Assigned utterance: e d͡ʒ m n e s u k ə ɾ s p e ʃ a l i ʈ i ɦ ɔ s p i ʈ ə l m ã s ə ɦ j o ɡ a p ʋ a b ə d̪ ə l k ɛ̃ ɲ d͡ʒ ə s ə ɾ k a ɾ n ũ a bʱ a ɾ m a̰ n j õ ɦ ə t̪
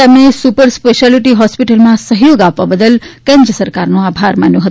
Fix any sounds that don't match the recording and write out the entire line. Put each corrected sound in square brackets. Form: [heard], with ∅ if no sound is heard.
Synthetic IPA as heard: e [∅] m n e s u [p] ə ɾ s p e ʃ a l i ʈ i ɦ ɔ s p i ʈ ə l m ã s ə ɦ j o ɡ a p ʋ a b ə d̪ ə l k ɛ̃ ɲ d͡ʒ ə s ə ɾ k a ɾ n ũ a bʱ a ɾ m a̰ n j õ ɦ ə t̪